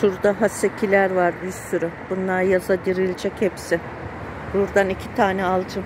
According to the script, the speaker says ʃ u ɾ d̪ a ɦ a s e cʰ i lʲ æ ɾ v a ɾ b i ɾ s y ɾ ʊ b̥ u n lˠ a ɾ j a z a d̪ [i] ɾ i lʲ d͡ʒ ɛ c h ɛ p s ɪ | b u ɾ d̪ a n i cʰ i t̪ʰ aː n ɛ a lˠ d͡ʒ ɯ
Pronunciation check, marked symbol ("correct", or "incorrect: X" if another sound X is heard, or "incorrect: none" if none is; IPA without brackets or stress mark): correct